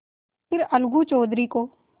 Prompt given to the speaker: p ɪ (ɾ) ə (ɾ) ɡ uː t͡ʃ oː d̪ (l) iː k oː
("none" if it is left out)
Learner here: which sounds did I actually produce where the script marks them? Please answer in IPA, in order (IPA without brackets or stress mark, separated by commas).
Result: ɾ, l, ɾ